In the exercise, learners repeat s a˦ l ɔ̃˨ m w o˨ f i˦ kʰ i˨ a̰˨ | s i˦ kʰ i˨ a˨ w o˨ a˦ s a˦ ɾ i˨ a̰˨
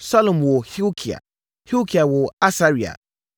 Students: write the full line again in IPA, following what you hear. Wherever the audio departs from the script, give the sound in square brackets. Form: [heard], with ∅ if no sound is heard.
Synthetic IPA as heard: s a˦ l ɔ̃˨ m w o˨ [h] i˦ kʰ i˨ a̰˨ | [h] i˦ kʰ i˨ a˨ w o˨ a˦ s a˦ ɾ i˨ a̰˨

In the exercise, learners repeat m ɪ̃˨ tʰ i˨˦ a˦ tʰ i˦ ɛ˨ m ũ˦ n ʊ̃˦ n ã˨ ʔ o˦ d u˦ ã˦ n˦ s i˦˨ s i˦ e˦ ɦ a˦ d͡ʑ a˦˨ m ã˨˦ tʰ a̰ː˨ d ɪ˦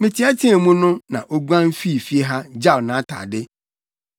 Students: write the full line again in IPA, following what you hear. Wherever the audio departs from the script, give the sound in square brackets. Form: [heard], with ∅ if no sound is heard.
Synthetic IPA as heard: m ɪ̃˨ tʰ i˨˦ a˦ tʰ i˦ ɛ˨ m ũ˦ n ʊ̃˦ n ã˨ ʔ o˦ [ɡ] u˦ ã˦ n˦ [f] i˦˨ [f] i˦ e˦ ɦ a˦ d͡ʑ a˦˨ [n] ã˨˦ tʰ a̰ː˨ d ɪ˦

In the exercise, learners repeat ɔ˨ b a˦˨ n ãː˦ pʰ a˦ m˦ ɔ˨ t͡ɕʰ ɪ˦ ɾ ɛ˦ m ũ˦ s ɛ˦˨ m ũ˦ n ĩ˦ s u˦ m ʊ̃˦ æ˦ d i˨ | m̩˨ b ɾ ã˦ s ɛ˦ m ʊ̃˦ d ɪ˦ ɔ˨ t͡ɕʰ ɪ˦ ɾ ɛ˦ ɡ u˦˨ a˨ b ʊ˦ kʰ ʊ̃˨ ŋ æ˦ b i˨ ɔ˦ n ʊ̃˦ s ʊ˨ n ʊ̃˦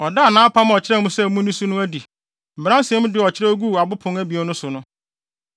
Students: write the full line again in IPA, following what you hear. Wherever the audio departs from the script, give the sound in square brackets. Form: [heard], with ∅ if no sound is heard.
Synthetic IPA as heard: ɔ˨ [d] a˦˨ n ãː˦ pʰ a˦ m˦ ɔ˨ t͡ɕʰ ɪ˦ ɾ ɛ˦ m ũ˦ s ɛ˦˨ m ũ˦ n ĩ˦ s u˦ [n] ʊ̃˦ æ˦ d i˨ | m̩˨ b ɾ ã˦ s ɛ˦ m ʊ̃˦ d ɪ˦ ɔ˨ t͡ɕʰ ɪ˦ ɾ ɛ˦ ɡ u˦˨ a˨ b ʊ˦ [pʰ] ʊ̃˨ ŋ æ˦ b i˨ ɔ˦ n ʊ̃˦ s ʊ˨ n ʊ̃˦

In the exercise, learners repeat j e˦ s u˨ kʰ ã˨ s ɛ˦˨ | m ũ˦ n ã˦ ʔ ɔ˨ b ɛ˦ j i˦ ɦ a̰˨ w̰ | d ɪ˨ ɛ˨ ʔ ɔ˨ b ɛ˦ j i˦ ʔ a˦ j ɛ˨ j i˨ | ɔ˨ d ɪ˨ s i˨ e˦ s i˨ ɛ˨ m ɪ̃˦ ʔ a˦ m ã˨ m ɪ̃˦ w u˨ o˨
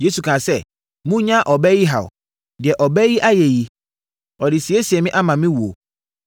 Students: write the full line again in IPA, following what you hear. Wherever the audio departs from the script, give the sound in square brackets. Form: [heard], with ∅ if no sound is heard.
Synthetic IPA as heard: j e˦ s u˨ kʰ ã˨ s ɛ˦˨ | m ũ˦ [ɲ] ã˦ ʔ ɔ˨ b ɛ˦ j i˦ ɦ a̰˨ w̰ | d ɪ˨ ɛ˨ ʔ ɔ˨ b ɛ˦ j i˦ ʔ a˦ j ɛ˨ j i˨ | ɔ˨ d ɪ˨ s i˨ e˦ s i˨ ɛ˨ m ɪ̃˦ ʔ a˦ m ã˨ m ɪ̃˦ w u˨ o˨

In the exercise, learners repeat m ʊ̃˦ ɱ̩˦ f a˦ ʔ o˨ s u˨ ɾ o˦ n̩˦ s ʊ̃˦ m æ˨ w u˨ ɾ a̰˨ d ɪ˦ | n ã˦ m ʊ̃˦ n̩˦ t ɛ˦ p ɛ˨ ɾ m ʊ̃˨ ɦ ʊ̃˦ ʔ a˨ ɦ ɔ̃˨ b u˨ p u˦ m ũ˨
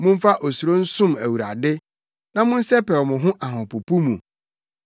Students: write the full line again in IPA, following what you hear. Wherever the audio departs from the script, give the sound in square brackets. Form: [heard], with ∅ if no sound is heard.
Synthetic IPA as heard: m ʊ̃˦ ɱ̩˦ f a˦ ʔ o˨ s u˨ ɾ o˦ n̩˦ s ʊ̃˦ m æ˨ w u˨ ɾ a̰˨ d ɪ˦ | n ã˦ m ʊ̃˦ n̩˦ [s] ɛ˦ p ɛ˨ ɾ m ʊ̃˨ ɦ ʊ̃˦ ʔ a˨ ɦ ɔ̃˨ [p] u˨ p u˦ m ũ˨

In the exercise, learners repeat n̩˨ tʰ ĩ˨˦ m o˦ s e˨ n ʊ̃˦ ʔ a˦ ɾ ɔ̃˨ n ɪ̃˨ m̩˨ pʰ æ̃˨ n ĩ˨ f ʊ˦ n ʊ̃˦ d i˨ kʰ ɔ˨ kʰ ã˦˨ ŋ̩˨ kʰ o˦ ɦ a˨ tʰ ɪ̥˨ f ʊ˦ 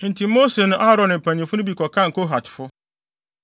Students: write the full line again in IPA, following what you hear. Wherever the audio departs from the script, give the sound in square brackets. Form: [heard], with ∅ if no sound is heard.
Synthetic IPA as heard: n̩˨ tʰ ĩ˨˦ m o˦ s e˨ n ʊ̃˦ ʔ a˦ ɾ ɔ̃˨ n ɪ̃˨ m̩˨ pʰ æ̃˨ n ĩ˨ f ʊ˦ n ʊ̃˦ [b] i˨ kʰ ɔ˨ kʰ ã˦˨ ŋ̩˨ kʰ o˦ ɦ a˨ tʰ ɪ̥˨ f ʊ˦

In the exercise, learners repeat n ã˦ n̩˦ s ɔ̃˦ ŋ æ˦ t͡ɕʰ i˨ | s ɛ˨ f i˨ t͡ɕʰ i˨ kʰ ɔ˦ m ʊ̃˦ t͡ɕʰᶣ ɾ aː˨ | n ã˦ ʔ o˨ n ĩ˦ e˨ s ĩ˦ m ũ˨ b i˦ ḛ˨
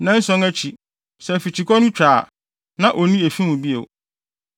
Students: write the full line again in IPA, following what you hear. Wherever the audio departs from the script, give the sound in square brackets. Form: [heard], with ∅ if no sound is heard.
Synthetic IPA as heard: n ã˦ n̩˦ s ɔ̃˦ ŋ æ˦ t͡ɕʰ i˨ | s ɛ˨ f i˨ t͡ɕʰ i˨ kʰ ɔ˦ [n] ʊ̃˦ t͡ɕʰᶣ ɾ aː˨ | n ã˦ ʔ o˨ n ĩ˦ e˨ [f] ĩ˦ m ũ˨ b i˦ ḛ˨

